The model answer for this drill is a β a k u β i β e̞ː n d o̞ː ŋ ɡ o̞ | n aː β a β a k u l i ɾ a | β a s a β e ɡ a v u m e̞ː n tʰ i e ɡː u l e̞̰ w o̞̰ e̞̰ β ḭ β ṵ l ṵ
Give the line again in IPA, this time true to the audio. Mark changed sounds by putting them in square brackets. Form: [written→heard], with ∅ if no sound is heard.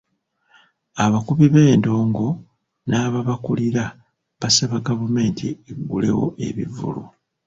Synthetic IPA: a β a k u β i β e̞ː n d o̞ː ŋ ɡ o̞ | n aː β a β a k u l i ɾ a | β a s a β [e→a] ɡ a v u m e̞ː n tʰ i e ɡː u l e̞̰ w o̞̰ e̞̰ β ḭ [β→v] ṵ l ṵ